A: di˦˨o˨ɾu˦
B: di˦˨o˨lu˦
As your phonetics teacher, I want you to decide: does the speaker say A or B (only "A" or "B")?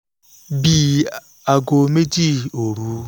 A